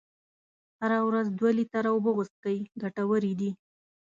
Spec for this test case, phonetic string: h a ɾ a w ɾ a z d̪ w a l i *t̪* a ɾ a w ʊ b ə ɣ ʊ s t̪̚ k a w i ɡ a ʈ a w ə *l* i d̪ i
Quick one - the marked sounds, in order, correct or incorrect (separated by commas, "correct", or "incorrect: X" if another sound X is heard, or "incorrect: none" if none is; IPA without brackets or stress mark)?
correct, incorrect: ɾ